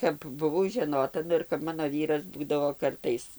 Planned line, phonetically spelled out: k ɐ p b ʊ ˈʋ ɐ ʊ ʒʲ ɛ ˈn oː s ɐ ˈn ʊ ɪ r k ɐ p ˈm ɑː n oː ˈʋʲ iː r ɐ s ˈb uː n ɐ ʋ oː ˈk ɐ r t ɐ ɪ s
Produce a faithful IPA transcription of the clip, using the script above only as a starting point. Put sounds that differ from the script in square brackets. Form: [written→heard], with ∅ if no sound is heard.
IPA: k ɐ p b ʊ ˈʋ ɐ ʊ ʒʲ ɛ ˈn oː [s→t] ɐ ˈn ʊ ɪ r k ɐ p ˈm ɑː n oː ˈʋʲ iː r ɐ s ˈb uː [n→d] ɐ ʋ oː ˈk ɐ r t ɐ ɪ s

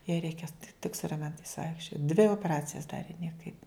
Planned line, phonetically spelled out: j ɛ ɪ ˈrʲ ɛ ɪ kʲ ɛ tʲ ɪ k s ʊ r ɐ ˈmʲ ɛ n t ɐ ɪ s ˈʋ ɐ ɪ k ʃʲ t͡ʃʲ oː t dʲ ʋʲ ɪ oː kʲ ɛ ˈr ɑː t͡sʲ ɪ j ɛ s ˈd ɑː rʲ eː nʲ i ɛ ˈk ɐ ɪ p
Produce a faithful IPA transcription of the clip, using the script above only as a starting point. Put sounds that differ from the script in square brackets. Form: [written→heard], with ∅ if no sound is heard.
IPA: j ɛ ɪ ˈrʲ ɛ ɪ kʲ ɛ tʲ ɪ k s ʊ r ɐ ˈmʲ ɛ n t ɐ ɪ s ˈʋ ɐ ɪ k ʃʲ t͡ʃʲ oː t dʲ ʋʲ ɪ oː [kʲ→pʲ] ɛ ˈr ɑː t͡sʲ ɪ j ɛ s ˈd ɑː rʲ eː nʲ i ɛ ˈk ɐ ɪ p

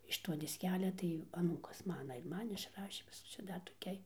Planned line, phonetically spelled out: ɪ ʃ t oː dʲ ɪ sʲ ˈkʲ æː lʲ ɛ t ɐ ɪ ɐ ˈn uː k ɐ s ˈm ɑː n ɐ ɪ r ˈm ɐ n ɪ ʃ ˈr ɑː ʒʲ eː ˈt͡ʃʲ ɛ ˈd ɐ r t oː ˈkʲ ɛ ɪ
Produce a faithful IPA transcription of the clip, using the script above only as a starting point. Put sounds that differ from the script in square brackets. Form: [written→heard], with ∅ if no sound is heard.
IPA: ɪ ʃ t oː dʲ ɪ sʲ ˈkʲ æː lʲ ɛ t ɐ ɪ ɐ ˈn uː k ɐ s ˈm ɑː n ɐ ɪ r ˈm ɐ n ɪ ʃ ˈr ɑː [ʒʲ→ʃʲ] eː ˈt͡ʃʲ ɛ ˈd ɐ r t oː ˈkʲ ɛ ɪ

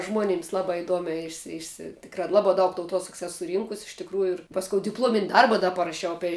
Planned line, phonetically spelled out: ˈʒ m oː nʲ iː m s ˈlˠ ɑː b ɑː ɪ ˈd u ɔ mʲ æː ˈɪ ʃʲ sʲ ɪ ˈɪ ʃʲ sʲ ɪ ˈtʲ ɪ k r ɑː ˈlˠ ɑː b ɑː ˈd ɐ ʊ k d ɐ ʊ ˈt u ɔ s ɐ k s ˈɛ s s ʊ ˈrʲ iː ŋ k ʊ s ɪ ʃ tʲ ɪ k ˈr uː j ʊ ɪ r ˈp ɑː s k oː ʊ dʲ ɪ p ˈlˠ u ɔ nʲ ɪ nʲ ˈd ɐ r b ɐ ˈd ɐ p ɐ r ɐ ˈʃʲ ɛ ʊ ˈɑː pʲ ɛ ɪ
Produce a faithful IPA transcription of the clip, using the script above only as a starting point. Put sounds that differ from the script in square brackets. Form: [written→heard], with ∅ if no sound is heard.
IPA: ˈʒ m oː nʲ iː m s ˈlˠ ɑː b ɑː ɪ ˈd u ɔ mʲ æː ˈɪ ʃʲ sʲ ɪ ˈɪ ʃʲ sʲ ɪ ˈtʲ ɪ k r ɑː ˈlˠ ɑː b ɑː ˈd ɐ ʊ k [d→t] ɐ ʊ ˈt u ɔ s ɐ k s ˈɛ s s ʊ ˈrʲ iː ŋ k ʊ s ɪ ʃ tʲ ɪ k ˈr uː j ʊ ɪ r ˈp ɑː s k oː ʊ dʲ ɪ p ˈlˠ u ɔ [nʲ→mʲ] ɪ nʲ ˈd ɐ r b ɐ ˈd ɐ p ɐ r ɐ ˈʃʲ ɛ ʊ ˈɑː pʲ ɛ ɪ

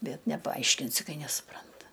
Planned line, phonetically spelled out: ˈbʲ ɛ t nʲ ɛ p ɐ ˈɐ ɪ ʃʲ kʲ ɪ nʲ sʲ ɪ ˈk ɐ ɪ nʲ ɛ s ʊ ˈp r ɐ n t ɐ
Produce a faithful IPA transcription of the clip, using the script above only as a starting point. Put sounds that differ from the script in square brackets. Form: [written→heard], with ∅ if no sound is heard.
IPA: ˈbʲ ɛ t nʲ ɛ p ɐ ˈɐ ɪ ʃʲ kʲ ɪ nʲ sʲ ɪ ˈk ɐ ɪ nʲ ɛ s ʊ ˈp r ɐ n t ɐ

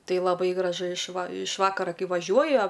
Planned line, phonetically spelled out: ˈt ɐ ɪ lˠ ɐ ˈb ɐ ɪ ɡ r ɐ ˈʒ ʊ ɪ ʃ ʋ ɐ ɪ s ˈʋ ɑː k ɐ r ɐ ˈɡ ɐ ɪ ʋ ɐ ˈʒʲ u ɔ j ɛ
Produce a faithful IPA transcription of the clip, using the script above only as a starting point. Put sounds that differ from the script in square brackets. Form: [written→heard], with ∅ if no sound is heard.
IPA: ˈt ɐ ɪ lˠ ɐ ˈb ɐ ɪ ɡ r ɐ ˈʒ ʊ ɪ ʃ ʋ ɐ ɪ [s→ʃ] ˈʋ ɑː k ɐ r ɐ [ˈɡ→ˈk] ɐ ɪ ʋ ɐ ˈʒʲ u ɔ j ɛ

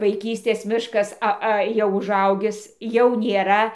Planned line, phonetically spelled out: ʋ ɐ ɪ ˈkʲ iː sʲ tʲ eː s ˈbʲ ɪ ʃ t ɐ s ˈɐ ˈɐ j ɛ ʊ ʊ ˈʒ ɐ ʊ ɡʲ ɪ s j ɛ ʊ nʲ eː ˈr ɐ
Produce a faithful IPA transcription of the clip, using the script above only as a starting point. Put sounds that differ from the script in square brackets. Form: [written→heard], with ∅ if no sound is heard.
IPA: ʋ ɐ ɪ ˈkʲ iː sʲ tʲ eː s [ˈbʲ→ˈmʲ] ɪ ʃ [t→k] ɐ s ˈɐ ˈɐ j ɛ ʊ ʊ ˈʒ ɐ ʊ ɡʲ ɪ s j ɛ ʊ nʲ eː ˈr ɐ

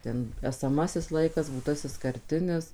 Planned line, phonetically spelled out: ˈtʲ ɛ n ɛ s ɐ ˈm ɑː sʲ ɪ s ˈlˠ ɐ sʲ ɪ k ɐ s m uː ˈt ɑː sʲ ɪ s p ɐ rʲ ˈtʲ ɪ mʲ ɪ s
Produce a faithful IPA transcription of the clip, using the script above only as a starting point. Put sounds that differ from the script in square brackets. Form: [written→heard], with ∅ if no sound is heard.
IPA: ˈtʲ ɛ n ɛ s ɐ ˈm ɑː sʲ ɪ s ˈlˠ ɐ [sʲ→∅] ɪ k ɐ s [m→b] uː ˈt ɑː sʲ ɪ s [p→k] ɐ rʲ ˈtʲ ɪ [mʲ→nʲ] ɪ s

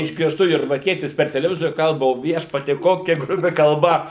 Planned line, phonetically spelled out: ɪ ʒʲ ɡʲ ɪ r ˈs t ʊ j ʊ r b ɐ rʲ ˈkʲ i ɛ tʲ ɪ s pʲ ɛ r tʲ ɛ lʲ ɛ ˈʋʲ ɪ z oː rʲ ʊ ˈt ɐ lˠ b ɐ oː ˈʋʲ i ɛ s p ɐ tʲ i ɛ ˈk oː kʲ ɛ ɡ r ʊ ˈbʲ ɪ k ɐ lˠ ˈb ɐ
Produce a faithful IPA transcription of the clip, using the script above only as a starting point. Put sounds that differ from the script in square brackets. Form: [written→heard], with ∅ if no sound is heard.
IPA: ɪ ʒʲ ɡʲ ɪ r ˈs t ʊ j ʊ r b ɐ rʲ ˈkʲ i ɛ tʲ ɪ s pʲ ɛ r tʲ ɛ lʲ ɛ ˈʋʲ ɪ z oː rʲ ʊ [ˈt→ˈk] ɐ lˠ b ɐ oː ˈʋʲ i ɛ [s→ʃ] p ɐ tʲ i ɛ ˈk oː kʲ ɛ ɡ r ʊ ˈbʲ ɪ k ɐ lˠ ˈb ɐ

